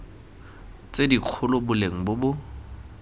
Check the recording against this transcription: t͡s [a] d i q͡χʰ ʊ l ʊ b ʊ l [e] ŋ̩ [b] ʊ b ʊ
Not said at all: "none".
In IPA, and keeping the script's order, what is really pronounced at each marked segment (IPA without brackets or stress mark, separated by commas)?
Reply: e, e, b